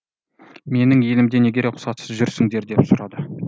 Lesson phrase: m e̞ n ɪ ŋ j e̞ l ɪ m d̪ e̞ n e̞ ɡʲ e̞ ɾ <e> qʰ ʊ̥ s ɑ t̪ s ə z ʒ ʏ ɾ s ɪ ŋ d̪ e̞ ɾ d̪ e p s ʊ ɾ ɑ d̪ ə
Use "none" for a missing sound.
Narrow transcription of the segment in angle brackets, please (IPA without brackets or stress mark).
e